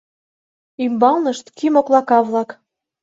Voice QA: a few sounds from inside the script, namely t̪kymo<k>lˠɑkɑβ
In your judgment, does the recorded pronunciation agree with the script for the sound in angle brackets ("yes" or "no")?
yes